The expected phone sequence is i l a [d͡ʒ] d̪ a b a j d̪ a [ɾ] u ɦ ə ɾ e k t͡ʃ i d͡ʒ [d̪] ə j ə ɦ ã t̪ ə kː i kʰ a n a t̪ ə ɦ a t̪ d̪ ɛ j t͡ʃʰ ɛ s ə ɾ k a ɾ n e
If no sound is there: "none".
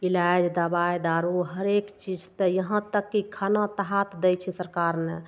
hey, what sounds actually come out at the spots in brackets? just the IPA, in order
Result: d͡ʒ, ɾ, t̪

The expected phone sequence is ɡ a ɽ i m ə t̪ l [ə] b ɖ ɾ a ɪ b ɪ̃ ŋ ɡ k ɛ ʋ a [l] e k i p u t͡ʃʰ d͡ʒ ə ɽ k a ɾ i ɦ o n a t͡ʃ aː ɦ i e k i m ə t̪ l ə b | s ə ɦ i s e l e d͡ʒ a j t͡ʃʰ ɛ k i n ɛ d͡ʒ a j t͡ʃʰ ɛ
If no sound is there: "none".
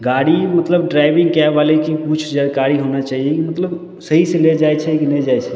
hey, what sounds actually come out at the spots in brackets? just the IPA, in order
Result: ə, l

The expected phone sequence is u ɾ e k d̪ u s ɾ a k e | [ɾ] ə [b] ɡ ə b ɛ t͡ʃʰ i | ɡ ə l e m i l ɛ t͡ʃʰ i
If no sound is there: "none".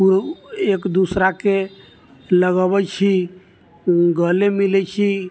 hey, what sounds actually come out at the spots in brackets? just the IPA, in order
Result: l, none

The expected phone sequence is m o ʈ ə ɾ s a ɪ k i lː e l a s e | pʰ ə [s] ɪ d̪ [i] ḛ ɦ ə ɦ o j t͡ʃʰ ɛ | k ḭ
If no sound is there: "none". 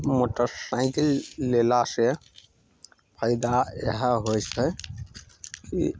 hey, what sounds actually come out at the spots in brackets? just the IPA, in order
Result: none, a

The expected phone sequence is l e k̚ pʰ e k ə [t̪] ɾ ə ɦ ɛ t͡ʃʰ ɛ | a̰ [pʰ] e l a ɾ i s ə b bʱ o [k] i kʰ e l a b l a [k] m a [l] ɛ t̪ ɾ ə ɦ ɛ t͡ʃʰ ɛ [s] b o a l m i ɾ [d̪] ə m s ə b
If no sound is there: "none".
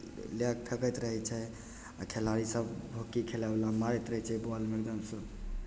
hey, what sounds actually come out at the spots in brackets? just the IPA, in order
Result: t̪, kʰ, k, none, ɾ, none, d̪

